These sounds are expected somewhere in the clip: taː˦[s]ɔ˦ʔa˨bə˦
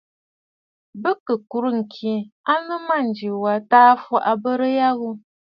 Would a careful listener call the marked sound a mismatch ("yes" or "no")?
yes